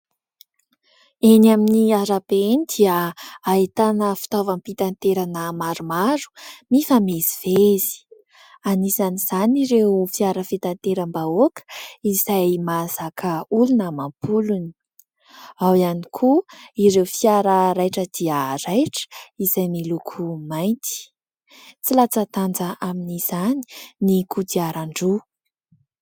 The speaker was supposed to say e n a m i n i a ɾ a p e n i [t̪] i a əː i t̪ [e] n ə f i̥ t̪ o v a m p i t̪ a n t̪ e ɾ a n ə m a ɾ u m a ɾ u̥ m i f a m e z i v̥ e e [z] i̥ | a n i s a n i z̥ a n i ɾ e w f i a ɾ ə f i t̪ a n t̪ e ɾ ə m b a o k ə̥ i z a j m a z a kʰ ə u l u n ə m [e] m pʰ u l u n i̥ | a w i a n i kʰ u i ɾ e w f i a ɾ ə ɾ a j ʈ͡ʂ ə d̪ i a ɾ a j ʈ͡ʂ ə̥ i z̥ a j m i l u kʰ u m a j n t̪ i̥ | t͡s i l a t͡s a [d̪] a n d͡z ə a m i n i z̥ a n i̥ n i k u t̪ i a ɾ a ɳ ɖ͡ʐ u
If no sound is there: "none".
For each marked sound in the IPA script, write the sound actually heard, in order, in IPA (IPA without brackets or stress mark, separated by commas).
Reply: d̪, a, z, a, t̪